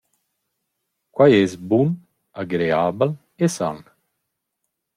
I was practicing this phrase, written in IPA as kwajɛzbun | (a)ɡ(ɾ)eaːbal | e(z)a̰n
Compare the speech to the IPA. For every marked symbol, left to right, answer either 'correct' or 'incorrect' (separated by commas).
correct, correct, incorrect